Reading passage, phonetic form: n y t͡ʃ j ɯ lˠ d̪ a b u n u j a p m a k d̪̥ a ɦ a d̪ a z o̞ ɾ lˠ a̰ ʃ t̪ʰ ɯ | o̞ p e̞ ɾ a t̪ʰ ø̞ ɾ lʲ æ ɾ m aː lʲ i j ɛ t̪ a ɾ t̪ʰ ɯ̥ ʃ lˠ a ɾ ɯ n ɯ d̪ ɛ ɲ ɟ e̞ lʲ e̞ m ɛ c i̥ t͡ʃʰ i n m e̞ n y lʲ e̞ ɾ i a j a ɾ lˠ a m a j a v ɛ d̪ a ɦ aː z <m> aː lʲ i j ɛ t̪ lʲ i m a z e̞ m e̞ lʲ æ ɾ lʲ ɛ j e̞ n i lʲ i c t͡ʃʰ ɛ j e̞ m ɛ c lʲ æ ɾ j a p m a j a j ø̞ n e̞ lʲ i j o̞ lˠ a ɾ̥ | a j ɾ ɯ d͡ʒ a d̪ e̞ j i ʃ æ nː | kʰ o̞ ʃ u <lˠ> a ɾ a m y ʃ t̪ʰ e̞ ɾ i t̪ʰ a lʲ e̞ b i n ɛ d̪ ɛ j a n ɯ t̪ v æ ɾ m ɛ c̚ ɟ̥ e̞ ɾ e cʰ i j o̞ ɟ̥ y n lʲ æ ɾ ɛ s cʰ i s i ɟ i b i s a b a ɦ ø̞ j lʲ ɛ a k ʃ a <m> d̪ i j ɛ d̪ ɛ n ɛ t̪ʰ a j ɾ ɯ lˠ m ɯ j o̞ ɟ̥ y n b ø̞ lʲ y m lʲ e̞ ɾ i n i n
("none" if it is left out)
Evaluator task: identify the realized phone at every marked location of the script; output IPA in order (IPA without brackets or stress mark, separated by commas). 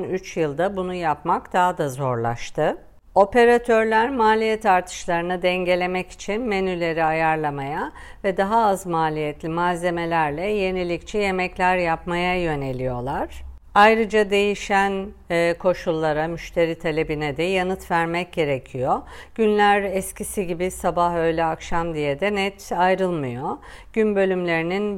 m, lˠː, m